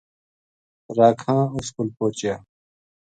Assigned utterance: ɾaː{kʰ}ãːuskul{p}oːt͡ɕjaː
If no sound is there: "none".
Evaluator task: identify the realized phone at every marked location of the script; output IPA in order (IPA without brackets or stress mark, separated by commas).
kʰ, p